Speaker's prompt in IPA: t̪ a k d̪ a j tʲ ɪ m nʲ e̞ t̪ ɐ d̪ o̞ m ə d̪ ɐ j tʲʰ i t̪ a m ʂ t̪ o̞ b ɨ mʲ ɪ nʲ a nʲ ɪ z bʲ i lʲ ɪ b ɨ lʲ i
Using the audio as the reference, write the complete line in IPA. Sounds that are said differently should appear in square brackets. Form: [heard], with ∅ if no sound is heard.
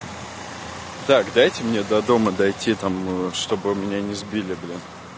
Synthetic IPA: t̪ a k d̪ a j tʲ ɪ m nʲ e̞ [d̪] ɐ d̪ o̞ m ə d̪ ɐ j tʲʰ i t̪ a m ʂ t̪ o̞ b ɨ mʲ ɪ nʲ a nʲ ɪ z bʲ i lʲ ɪ b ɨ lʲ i

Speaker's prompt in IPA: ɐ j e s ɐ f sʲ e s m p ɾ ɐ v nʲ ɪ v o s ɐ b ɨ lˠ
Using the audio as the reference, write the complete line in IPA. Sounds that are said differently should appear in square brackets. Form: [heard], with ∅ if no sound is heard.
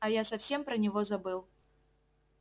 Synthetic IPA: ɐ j [a] s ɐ f sʲ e [∅] m p ɾ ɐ [∅] nʲ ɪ v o [z] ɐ b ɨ lˠ

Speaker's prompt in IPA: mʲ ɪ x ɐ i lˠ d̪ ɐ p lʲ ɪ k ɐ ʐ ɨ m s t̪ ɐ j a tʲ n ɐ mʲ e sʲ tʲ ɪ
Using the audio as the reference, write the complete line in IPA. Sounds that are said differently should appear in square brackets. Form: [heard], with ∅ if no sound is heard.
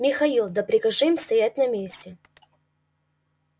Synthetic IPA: mʲ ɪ x ɐ i lˠ d̪ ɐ p [ɾʲ] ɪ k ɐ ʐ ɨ m s t̪ ɐ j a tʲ n ɐ mʲ e sʲ tʲ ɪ

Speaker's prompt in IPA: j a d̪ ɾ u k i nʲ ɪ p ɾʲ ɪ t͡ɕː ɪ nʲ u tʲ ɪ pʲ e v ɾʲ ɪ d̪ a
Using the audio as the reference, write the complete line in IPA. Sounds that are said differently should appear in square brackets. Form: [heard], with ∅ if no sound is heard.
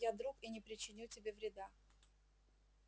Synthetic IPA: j a d̪ ɾ u k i nʲ ɪ p ɾʲ ɪ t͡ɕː ɪ nʲ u tʲ ɪ [bʲ] e v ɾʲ ɪ d̪ a

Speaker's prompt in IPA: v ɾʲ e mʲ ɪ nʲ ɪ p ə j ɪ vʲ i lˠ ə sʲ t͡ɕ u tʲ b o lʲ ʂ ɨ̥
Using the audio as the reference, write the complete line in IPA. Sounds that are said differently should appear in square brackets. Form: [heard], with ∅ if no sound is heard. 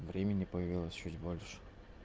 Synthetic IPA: v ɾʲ e mʲ ɪ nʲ ɪ p ə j ɪ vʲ i lˠ ə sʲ t͡ɕ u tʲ b o lʲ ʂ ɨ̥

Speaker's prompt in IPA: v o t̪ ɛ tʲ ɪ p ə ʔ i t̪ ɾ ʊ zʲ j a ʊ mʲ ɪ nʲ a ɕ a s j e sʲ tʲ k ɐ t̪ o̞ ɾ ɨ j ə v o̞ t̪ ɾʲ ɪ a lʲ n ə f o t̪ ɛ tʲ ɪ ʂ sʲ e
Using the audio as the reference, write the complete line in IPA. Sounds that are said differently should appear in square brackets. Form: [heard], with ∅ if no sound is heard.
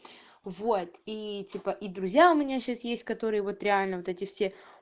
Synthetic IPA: v o t̪ [i] tʲ [i] p ə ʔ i [d̪] ɾ ʊ zʲ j a ʊ mʲ ɪ nʲ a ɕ a s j e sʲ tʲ k ɐ t̪ o̞ ɾ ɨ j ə v o̞ t̪ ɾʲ ɪ a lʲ n ə [v] o t̪ ɛ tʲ ɪ [f] sʲ e

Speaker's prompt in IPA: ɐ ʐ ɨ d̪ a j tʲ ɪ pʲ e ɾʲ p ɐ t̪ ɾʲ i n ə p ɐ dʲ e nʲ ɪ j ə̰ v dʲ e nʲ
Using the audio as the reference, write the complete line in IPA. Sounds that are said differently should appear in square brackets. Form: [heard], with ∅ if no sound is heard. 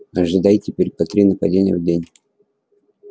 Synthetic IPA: ɐ ʐ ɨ d̪ a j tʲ ɪ pʲ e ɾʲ p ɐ t̪ ɾʲ i n ə p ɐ dʲ e nʲ ɪ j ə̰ v dʲ e nʲ

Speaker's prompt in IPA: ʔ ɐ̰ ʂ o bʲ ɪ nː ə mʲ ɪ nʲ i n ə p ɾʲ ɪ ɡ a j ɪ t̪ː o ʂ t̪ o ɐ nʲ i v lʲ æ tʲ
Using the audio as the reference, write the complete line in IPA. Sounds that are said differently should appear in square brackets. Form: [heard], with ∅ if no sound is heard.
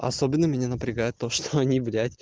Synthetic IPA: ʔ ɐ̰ [s] o bʲ ɪ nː ə mʲ ɪ nʲ [a] n ə p ɾʲ ɪ ɡ a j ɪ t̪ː o ʂ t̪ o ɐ nʲ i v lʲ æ tʲ

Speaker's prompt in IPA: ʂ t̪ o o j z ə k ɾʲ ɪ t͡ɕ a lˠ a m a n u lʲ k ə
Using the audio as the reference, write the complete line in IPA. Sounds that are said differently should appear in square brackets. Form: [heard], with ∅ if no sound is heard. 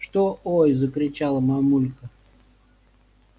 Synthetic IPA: ʂ t̪ o o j z ə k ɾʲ ɪ t͡ɕ a lˠ [ə] m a [m] u lʲ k ə

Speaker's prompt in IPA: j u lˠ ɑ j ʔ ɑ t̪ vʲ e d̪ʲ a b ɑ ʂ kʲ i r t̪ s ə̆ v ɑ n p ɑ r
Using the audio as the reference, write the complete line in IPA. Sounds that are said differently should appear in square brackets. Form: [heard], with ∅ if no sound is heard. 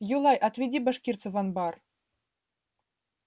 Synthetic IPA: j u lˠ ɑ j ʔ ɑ t̪ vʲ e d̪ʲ [i] b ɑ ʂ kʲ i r t̪ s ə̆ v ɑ n [b] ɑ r

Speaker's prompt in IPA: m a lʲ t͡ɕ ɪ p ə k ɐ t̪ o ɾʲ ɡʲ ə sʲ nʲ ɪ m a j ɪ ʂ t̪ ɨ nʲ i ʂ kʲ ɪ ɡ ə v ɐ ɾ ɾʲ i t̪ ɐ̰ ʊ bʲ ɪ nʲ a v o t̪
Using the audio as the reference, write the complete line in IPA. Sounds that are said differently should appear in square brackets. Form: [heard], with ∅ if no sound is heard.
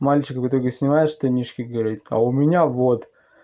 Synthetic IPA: m a lʲ t͡ɕ ɪ [k] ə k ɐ t̪ o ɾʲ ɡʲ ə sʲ nʲ ɪ m a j ɪ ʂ t̪ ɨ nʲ i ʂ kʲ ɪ ɡ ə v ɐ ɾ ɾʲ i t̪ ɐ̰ ʊ [mʲ] ɪ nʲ a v o t̪

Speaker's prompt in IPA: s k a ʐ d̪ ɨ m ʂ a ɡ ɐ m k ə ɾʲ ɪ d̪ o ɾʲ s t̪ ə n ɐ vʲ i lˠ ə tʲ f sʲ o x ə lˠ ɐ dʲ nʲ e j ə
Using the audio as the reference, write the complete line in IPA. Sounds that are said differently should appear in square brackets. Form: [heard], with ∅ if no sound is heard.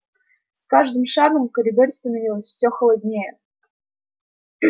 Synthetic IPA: s k a ʐ d̪ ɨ m ʂ a ɡ [ə] m k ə ɾʲ ɪ d̪ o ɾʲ s t̪ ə n ɐ vʲ i lˠ ə [sʲ] f sʲ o x ə lˠ ɐ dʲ nʲ e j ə

